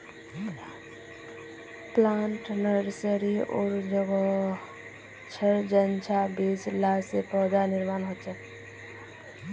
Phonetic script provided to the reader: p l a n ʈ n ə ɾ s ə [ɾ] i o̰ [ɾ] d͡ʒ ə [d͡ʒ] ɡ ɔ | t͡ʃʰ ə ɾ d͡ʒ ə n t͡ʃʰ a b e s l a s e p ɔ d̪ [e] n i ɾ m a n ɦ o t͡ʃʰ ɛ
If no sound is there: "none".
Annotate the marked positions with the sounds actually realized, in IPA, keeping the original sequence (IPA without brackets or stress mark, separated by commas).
ɾ, ɾ, none, a